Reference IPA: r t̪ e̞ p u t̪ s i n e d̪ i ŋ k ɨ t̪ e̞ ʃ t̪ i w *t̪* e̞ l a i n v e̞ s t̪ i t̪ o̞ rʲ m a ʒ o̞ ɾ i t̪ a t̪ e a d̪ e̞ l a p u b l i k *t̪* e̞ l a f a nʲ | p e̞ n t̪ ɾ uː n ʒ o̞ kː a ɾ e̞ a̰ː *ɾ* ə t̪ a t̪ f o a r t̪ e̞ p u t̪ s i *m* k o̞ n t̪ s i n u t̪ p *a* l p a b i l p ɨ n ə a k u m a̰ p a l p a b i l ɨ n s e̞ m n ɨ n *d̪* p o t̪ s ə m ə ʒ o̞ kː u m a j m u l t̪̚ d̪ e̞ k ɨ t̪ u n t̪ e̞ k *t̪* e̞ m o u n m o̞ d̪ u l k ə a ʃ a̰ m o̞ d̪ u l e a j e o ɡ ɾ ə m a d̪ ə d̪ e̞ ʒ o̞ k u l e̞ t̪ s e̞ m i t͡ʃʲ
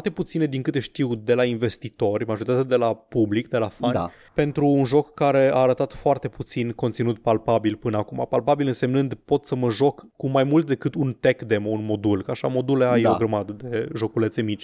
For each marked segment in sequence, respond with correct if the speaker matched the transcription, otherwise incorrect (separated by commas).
incorrect, incorrect, correct, incorrect, correct, correct, incorrect